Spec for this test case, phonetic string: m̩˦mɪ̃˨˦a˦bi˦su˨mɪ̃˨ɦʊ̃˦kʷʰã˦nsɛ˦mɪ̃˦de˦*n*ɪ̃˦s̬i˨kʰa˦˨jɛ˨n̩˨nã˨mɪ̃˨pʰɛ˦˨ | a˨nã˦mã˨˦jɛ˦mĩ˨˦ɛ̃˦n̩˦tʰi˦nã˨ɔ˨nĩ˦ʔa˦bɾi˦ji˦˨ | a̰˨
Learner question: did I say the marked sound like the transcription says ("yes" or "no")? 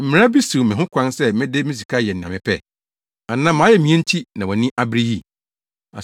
no